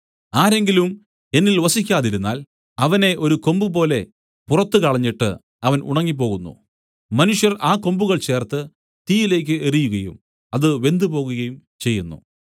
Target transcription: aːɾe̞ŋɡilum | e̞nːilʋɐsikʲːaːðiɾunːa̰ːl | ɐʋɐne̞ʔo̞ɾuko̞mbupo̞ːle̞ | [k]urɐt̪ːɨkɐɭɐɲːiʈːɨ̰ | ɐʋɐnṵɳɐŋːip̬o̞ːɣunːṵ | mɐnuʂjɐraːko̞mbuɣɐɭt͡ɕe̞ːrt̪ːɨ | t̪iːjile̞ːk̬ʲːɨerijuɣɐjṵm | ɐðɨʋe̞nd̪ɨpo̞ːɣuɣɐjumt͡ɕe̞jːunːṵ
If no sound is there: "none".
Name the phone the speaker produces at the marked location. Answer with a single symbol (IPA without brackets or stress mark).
p